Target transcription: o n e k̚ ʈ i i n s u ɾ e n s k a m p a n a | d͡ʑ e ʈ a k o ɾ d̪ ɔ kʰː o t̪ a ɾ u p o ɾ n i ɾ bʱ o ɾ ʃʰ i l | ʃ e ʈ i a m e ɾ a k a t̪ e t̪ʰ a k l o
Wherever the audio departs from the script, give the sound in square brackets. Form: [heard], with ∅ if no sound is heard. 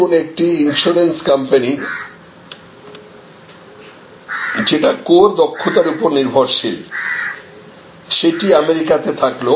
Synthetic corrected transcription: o n e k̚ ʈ i i n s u ɾ e n s k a m p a n [i] | d͡ʑ e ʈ a k o ɾ d̪ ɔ kʰː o t̪ a ɾ u p o ɾ n i ɾ bʱ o ɾ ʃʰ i l | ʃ e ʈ i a m e ɾ [i] k a t̪ e t̪ʰ a k l o